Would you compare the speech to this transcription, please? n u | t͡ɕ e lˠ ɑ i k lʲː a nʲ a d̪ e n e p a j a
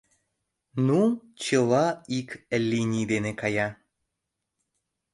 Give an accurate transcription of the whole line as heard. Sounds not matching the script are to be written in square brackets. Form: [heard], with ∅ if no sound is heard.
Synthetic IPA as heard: n u | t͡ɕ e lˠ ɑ i k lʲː [i] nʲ [i] d̪ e n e [k] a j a